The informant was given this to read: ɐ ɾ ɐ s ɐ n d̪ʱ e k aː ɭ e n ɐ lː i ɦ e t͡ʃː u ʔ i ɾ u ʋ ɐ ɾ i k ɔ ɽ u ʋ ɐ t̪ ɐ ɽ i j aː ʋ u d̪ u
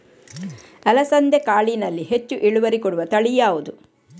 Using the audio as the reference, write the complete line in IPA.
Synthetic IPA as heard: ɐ l ɐ s ɐ n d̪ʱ e k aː ɭ i n ɐ lː i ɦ e t͡ʃː u ʔ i ɭ u ʋ ɐ ɾ i k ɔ ɽ u ʋ ɐ t̪ ɐ ɭ i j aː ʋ u d̪ u